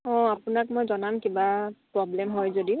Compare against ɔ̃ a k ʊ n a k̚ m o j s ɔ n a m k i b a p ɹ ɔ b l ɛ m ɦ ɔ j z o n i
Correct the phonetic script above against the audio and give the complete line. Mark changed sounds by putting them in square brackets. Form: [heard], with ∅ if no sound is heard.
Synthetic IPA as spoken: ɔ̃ a [p] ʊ n a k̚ m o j [z] ɔ n a m k i b a p ɹ ɔ b l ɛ m ɦ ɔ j z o [d] i